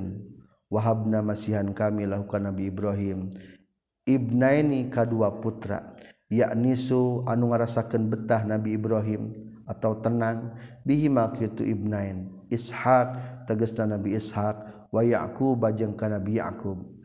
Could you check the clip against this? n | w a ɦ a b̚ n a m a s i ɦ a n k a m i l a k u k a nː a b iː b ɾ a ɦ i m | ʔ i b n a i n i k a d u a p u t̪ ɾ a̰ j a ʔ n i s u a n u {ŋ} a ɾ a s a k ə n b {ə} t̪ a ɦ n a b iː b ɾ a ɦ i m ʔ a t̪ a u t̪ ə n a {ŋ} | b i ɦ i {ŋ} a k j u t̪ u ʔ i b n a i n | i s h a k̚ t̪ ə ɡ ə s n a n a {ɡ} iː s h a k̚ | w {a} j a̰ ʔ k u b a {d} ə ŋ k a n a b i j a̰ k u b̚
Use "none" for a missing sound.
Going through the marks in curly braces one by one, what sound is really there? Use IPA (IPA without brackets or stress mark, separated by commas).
ŋ, ə, ŋ, m, b, a, d͡ʒ